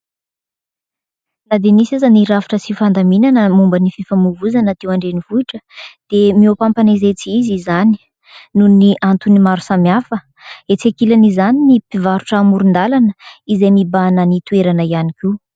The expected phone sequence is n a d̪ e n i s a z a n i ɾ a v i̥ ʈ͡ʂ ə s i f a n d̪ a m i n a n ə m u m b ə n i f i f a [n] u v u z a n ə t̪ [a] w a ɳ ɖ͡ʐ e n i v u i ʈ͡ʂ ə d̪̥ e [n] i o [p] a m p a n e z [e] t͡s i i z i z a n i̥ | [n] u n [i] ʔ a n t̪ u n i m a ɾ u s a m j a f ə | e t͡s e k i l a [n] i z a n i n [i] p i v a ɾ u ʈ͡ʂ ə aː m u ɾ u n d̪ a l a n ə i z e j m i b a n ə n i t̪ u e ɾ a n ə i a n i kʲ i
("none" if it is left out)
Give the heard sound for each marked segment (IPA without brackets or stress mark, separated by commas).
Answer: m, e, m, p, e, n, i, n, i